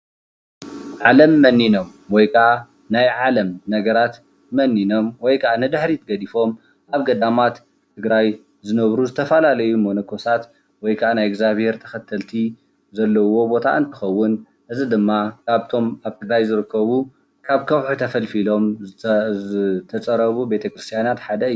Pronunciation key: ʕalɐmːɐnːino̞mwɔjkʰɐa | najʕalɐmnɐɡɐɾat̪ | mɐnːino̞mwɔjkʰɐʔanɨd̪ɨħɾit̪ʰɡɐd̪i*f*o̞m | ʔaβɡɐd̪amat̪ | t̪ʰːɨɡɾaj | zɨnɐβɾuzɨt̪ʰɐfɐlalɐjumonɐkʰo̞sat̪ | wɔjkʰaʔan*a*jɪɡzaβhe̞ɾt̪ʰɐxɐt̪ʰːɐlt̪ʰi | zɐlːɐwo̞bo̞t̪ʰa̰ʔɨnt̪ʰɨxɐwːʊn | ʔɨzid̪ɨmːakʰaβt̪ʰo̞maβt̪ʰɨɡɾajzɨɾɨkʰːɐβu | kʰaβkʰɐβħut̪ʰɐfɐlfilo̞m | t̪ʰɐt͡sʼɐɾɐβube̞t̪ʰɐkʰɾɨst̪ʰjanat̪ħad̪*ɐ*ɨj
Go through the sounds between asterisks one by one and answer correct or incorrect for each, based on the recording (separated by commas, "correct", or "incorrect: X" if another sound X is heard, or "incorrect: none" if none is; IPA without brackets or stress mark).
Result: correct, correct, correct